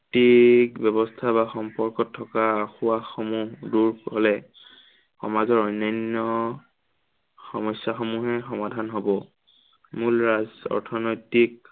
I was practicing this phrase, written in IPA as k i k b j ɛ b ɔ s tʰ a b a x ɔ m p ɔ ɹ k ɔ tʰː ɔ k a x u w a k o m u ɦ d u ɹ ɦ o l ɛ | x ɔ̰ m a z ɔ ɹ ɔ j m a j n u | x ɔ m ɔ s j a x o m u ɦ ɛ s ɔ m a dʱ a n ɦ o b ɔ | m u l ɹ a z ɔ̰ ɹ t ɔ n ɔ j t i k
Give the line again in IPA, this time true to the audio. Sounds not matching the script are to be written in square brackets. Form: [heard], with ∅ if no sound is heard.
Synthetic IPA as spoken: [t] i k b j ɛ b ɔ s tʰ a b a x ɔ m p ɔ ɹ k ɔ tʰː ɔ k a x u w a [x] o m u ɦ d u ɹ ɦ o l ɛ | x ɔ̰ m a z ɔ ɹ ɔ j [n] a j n [ɔ] | x ɔ m ɔ s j a x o m u ɦ ɛ [x] ɔ m a dʱ a n ɦ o b ɔ | m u l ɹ a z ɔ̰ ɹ [tʰ] ɔ n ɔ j t i k